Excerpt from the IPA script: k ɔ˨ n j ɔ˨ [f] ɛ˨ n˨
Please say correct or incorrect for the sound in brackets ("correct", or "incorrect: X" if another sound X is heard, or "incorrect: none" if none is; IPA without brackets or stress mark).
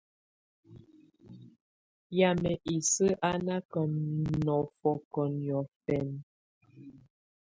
correct